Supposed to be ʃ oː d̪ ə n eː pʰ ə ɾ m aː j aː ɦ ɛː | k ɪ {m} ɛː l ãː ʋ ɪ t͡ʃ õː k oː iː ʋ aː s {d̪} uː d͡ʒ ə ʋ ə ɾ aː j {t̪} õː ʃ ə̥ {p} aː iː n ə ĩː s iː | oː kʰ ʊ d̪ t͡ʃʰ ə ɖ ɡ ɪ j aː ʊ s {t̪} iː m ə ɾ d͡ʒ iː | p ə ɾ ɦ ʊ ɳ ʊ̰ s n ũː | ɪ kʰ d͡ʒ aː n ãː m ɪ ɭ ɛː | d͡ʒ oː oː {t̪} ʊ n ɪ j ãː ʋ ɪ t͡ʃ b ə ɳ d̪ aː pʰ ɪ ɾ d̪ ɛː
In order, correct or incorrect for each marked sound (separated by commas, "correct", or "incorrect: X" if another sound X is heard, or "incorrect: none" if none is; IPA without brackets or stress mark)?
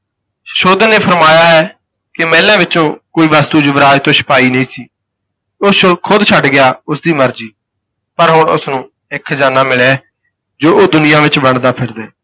correct, incorrect: t̪, correct, correct, incorrect: d̪, incorrect: d̪